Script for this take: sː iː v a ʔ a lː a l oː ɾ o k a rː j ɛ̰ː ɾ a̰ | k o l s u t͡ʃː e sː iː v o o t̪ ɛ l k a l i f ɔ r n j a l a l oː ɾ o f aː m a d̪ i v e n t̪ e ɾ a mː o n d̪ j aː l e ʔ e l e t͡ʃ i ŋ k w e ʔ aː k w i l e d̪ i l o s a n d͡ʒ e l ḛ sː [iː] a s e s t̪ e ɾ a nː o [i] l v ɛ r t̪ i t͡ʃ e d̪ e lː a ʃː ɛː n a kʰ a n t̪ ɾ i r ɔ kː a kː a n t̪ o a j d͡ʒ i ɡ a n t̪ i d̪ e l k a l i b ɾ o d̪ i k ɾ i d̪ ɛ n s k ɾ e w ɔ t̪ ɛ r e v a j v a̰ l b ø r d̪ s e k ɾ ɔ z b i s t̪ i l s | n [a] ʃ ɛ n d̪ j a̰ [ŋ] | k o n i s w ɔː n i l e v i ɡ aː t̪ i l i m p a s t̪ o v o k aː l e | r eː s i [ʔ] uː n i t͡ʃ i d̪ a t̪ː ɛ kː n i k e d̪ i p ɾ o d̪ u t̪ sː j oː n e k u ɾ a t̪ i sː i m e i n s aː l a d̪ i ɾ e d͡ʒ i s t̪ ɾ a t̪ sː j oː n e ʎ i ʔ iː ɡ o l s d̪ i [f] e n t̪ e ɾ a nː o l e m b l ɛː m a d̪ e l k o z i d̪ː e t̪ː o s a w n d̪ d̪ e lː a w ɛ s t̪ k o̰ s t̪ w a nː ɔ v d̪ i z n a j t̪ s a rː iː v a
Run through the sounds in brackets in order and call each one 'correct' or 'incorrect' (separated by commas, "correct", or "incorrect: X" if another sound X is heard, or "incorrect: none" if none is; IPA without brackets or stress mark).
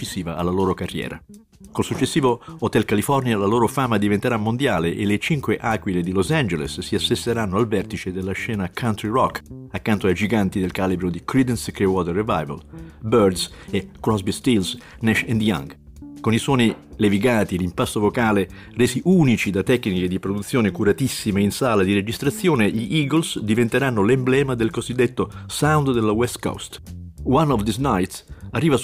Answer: incorrect: i, incorrect: a, incorrect: ɛ, correct, correct, incorrect: v